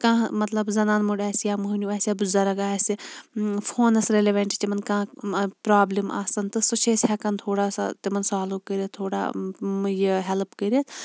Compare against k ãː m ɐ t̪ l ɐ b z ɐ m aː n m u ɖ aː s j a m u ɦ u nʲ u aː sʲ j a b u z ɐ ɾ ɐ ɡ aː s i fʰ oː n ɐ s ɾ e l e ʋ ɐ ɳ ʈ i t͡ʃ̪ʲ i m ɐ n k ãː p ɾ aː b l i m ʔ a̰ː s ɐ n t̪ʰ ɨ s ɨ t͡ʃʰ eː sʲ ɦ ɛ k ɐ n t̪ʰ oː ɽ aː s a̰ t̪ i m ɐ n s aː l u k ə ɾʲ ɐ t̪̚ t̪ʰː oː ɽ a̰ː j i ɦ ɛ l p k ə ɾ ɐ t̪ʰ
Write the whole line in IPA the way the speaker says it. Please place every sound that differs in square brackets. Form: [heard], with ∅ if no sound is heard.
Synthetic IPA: k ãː m ɐ t̪ l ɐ b z ɐ [n] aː n m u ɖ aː s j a m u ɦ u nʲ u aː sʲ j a b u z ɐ ɾ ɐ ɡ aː s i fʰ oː n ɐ s ɾ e l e ʋ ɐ ɳ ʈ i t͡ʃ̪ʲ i m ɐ n k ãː p ɾ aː b l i m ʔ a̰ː s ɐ n [t̪] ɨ s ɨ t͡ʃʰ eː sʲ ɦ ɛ k ɐ n t̪ʰ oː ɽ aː s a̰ t̪ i m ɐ n s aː l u k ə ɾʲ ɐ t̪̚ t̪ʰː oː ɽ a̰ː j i ɦ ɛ l p k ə ɾ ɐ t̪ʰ

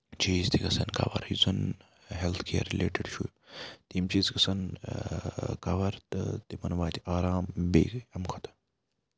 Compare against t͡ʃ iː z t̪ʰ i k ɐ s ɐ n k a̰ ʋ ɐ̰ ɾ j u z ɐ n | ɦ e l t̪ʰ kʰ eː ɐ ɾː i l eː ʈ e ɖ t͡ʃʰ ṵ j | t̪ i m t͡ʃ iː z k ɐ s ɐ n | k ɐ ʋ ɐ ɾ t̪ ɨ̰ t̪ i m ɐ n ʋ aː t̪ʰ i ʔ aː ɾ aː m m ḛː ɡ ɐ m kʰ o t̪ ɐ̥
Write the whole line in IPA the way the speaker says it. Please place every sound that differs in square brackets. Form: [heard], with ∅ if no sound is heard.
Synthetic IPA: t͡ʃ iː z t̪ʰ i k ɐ s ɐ n k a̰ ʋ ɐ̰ ɾ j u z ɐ n | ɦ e l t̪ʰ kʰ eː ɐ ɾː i l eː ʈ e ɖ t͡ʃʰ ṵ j | t̪ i m t͡ʃ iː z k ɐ s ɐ n | k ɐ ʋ ɐ ɾ t̪ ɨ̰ t̪ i m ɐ n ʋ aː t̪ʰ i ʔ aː ɾ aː m [b] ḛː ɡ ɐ m kʰ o t̪ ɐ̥

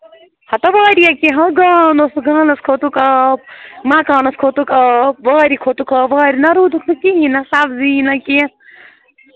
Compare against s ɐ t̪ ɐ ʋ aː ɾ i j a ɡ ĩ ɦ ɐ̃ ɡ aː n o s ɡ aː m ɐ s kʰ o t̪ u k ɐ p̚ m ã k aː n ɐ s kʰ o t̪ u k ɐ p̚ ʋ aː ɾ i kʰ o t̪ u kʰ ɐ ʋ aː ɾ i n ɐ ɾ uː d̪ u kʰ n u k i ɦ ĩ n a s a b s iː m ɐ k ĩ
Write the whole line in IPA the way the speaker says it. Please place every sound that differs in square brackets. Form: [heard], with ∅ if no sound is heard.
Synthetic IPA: [h] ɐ t̪ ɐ ʋ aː ɾ i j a [k] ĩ ɦ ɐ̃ ɡ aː n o s ɡ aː [n] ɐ s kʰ o t̪ u k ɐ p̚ m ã k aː n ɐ s kʰ o t̪ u k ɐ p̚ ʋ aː ɾ i kʰ o t̪ u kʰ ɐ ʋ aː ɾ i n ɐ ɾ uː d̪ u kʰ n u k i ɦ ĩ n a s a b [z] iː [n] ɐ k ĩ

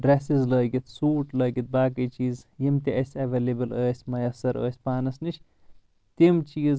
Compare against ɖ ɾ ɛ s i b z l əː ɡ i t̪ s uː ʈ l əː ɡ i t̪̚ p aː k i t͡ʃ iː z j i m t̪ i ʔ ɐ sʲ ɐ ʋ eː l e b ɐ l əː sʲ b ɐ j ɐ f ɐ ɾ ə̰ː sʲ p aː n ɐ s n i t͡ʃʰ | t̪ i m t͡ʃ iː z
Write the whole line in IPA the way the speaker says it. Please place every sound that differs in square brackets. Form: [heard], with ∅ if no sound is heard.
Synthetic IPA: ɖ ɾ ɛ s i [∅] z l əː ɡ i t̪ s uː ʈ l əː ɡ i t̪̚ [b] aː k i t͡ʃ iː z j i m t̪ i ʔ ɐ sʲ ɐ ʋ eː l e b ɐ l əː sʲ [m] ɐ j ɐ [s] ɐ ɾ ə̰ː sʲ p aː n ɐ s n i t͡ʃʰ | t̪ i m t͡ʃ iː z

